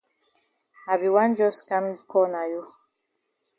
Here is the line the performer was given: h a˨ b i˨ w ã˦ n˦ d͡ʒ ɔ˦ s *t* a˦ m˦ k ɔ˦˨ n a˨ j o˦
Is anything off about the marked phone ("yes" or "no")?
yes